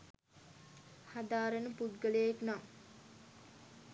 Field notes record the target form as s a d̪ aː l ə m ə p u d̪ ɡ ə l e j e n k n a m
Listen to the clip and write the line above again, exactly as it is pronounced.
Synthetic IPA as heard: h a d̪ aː ɾ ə n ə p u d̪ ɡ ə l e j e k n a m